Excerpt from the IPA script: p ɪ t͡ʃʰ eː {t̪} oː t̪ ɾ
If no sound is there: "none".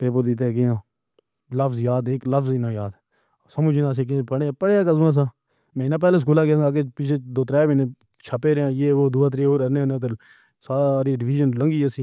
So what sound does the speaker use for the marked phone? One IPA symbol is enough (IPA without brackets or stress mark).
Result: d̪